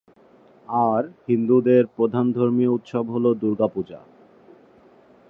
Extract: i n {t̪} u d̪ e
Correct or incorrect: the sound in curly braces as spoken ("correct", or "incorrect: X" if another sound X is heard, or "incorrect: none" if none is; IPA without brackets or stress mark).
incorrect: d̪